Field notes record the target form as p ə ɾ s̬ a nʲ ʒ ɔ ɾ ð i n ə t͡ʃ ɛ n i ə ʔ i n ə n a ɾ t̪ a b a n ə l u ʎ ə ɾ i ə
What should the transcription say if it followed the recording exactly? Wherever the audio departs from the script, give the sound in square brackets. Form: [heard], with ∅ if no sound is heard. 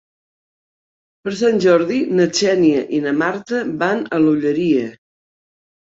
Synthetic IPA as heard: p ə ɾ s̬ a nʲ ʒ ɔ ɾ ð i n ə t͡ʃ ɛ n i ə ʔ i n ə [m] a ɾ t̪ [ə] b a n ə l u ʎ ə ɾ i ə